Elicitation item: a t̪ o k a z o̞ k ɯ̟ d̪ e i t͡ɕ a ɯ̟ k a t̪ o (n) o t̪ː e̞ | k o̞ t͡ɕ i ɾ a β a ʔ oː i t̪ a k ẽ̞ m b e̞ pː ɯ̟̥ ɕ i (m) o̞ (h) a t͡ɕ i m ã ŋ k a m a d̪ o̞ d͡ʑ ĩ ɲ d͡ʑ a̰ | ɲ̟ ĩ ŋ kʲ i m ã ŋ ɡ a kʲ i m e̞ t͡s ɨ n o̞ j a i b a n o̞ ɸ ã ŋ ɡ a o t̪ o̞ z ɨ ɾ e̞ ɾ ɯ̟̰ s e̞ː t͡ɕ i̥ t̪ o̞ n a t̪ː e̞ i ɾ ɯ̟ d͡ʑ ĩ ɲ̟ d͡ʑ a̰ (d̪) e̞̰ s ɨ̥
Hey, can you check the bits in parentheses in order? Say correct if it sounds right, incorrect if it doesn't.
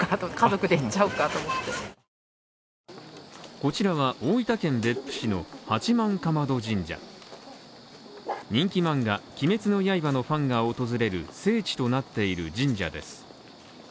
incorrect: m, incorrect: n, correct, correct

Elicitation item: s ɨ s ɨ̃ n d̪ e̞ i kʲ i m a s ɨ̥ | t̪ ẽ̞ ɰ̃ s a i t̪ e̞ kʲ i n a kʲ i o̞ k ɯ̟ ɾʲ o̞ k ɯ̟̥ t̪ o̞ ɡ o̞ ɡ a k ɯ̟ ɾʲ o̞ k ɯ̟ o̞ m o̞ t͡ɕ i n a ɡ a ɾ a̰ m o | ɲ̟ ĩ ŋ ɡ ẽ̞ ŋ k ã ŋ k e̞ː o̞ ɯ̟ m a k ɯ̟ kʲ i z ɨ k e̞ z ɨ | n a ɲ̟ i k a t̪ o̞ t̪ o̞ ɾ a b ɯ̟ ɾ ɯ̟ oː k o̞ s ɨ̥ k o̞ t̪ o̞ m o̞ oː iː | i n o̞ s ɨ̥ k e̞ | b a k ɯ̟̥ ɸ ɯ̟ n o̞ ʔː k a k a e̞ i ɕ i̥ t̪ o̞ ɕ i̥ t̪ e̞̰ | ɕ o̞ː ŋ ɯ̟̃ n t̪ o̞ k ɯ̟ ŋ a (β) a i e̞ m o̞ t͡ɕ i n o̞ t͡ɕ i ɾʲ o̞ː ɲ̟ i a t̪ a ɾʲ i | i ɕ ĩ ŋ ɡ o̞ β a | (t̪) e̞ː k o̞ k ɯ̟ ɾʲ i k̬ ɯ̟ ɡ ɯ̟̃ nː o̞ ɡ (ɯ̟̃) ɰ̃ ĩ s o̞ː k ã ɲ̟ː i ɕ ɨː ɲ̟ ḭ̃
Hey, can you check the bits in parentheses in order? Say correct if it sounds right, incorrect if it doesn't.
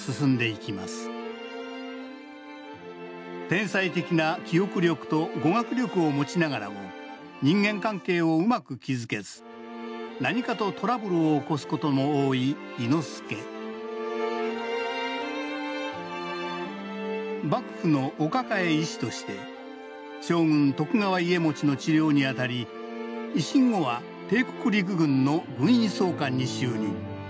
correct, correct, correct

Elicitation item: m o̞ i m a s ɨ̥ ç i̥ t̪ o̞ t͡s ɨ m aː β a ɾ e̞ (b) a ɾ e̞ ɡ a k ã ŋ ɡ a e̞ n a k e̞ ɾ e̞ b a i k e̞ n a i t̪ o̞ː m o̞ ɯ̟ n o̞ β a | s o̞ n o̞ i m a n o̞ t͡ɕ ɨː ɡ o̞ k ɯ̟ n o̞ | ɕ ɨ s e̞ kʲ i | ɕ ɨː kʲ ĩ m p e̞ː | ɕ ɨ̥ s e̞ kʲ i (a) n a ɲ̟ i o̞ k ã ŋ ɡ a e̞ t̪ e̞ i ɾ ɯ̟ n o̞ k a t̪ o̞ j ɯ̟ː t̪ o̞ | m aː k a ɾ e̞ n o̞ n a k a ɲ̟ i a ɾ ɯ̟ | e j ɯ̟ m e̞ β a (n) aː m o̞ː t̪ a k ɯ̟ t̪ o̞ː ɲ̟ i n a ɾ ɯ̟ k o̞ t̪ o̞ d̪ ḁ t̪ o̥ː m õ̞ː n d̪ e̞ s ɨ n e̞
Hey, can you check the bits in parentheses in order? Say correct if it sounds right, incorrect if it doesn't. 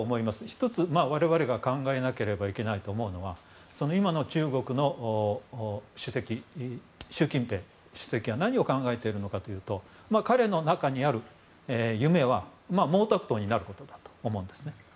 incorrect: β, correct, incorrect: m

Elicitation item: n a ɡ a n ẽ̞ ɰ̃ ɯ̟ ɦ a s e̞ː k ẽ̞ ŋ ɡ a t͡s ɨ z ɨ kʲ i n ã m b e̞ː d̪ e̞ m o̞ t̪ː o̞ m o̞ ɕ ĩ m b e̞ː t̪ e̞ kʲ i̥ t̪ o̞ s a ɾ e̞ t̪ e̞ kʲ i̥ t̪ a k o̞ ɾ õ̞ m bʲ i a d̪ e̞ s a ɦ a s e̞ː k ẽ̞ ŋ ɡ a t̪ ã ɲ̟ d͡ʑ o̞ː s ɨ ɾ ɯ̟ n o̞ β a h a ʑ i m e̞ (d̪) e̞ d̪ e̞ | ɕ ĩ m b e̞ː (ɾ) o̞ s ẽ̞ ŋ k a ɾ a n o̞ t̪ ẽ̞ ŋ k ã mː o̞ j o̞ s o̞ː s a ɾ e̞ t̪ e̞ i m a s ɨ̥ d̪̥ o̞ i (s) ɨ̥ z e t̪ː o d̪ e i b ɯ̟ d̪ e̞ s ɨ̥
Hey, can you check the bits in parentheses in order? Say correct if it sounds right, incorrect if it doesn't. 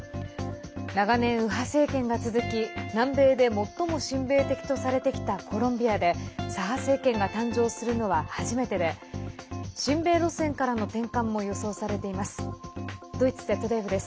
incorrect: t̪, correct, incorrect: t͡s

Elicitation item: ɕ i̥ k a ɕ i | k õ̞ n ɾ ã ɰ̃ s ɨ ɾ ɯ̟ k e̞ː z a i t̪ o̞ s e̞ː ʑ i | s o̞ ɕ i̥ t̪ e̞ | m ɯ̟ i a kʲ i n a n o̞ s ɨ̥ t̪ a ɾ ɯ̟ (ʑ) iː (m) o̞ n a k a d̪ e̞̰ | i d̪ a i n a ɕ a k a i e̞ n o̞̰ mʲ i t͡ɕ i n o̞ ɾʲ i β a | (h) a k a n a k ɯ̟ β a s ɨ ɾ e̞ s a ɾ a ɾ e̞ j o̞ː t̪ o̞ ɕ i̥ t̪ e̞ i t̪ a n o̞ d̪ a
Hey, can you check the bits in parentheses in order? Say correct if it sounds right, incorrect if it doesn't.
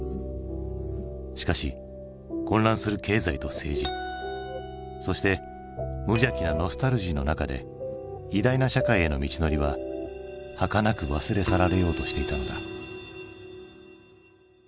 correct, incorrect: n, correct

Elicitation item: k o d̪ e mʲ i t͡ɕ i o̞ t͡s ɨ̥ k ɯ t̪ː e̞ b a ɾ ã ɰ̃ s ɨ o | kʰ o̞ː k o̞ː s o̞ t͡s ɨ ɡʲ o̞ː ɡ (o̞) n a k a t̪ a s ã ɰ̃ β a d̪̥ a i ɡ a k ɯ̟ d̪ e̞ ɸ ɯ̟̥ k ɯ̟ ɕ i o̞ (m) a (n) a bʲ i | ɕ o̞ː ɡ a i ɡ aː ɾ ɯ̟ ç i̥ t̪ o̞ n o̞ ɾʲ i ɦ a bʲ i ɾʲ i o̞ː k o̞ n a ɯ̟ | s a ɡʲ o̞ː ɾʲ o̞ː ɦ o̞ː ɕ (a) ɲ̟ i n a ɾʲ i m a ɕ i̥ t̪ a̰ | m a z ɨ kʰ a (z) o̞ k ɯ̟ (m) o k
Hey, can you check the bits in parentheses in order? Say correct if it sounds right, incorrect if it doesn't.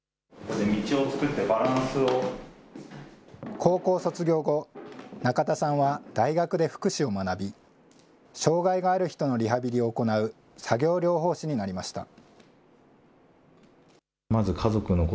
correct, correct, correct, incorrect: i, correct, incorrect: n

